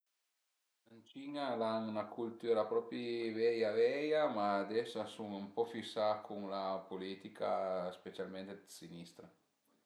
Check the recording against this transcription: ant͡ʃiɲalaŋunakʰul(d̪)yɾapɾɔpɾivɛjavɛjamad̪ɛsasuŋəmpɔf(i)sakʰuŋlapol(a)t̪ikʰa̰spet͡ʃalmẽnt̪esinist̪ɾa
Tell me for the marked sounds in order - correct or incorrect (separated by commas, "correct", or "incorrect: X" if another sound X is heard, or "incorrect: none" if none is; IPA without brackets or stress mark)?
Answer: incorrect: t̪, correct, incorrect: i